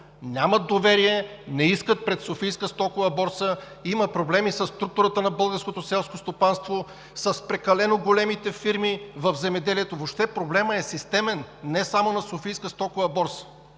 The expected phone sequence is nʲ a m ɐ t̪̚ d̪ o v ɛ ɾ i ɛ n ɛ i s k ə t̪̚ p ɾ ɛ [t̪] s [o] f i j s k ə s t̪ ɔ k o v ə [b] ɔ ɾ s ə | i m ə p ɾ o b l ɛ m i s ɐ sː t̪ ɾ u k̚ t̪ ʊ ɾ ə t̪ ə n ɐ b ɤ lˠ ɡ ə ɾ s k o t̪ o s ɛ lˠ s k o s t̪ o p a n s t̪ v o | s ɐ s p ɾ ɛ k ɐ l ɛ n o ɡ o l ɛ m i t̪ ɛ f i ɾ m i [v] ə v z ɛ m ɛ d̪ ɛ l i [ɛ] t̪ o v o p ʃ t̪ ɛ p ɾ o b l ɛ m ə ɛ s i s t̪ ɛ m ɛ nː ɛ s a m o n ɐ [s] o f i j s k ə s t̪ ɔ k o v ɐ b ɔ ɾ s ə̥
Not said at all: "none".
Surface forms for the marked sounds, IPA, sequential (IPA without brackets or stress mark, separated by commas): t̪, o, b, v, ɛ, s